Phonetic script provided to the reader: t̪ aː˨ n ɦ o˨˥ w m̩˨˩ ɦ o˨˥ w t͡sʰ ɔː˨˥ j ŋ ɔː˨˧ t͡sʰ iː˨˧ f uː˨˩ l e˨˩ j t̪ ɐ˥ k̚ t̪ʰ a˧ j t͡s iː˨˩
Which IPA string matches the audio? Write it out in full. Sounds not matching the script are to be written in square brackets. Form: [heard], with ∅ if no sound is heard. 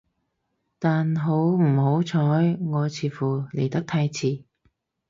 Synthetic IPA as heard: t̪ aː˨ n ɦ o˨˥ w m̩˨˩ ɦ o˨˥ w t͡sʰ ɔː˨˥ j ŋ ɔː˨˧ t͡sʰ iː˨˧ f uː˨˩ l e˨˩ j t̪ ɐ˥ k̚ t̪ʰ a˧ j [t͡sʰ] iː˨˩